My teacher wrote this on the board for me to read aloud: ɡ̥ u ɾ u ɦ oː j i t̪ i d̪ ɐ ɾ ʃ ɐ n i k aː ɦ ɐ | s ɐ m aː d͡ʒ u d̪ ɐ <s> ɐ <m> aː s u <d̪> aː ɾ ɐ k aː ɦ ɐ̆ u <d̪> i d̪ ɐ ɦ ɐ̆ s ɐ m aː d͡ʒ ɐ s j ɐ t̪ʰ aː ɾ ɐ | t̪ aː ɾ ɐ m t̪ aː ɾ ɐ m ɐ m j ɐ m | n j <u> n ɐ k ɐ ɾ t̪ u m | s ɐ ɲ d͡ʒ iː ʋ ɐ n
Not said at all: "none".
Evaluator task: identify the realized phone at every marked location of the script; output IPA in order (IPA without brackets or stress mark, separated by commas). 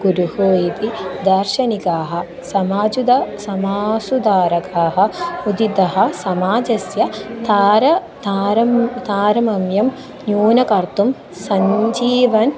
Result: s, m, d̪, d̪, uː